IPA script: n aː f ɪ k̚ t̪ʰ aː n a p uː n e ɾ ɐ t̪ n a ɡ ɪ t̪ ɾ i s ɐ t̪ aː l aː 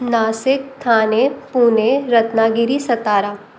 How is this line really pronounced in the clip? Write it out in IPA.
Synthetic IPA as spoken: n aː s ɪ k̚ t̪ʰ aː n e p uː n e ɾ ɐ t̪ n a ɡ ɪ ɾ i s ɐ t̪ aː ɾ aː